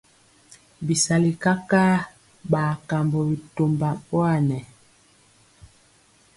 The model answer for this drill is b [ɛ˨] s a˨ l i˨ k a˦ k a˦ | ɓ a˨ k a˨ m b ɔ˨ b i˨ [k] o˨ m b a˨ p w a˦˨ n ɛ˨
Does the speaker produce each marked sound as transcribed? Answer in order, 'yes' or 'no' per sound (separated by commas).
no, no